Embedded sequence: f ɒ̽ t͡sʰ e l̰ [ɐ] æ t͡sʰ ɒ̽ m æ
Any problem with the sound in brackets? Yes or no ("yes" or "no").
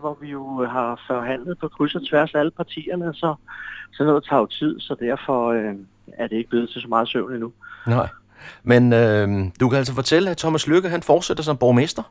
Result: yes